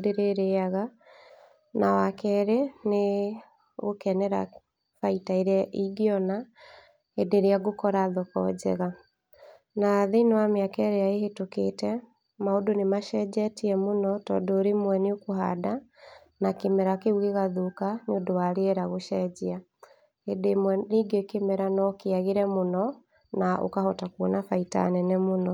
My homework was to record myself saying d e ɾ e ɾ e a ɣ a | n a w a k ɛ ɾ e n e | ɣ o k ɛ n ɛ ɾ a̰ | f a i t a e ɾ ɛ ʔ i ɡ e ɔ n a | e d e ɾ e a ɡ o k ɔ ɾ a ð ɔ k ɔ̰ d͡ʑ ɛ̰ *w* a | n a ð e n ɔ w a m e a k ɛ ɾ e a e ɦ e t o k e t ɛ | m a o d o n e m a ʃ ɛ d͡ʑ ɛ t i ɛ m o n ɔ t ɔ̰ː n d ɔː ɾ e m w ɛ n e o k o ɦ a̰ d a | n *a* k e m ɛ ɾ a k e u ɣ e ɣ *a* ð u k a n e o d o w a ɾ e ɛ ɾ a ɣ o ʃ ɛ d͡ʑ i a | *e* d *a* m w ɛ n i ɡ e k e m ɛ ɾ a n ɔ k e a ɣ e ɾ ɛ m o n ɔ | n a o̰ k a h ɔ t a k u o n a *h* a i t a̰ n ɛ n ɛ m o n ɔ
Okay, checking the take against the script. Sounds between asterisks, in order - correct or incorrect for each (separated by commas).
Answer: incorrect, correct, correct, correct, incorrect, incorrect